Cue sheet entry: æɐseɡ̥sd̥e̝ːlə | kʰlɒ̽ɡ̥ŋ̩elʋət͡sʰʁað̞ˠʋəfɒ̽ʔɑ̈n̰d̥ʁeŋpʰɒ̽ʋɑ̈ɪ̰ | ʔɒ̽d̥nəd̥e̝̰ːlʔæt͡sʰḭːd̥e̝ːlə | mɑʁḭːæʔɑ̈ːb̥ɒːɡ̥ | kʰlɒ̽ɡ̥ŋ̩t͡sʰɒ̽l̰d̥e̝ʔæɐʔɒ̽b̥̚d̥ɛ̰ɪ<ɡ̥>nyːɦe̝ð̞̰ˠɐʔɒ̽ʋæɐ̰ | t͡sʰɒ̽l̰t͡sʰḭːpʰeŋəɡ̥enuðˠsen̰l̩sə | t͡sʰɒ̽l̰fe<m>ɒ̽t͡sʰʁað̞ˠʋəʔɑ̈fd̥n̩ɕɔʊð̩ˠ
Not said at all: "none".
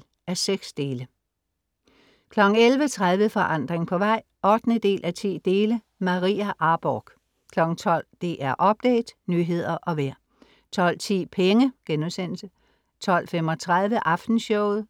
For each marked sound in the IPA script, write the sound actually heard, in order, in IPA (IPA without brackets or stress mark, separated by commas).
d̥, m